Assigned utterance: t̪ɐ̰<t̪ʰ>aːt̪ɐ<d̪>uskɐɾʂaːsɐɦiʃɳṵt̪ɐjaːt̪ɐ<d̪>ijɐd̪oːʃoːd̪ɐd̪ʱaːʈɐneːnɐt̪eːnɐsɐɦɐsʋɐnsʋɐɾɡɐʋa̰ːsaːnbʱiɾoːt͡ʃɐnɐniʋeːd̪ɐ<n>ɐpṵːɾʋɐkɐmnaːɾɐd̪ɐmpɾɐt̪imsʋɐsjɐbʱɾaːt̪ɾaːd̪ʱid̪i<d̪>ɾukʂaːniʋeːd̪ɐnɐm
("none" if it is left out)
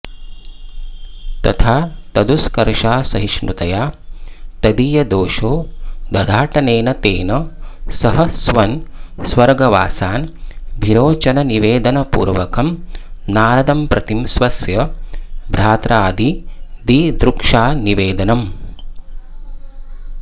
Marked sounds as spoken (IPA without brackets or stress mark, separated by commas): t̪ʰ, d̪, d̪, n, d̪